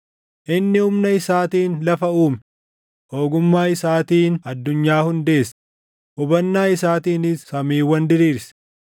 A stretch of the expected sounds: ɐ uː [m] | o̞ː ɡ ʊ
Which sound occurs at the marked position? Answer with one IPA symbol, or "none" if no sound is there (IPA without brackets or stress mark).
m